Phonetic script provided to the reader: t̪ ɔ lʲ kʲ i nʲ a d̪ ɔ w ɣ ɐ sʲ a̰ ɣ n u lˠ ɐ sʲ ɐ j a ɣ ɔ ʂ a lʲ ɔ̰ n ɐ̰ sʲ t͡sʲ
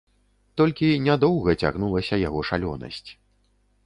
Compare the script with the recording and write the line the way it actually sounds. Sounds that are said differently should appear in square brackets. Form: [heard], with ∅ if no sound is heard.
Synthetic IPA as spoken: t̪ ɔ lʲ kʲ i nʲ a d̪ ɔ w ɣ ɐ [t͡sʲ] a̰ ɣ n u lˠ ɐ sʲ ɐ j a ɣ ɔ ʂ a lʲ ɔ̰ n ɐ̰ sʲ t͡sʲ